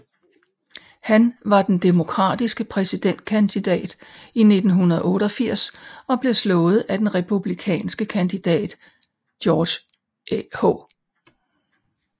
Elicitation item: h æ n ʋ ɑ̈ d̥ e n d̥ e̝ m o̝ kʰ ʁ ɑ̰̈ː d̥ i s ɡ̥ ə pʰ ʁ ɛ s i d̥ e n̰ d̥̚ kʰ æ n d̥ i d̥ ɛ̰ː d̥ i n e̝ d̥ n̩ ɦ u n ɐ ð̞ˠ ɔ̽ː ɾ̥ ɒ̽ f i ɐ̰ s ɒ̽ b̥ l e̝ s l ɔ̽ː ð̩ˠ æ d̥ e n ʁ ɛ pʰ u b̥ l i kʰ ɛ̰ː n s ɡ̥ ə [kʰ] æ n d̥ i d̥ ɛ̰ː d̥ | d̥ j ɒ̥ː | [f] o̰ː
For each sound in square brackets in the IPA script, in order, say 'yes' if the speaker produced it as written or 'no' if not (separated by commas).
yes, no